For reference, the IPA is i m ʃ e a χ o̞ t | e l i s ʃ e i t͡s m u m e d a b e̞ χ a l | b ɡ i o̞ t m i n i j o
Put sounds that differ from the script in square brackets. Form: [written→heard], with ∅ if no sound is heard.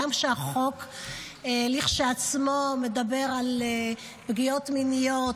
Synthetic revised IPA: [i→a] m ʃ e a χ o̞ [t→k] | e l i [s→χ] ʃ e [i→a] t͡s m [u→o] m e d a b e̞ [χ→ʁ] a l | b ɡ i o̞ t m i n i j o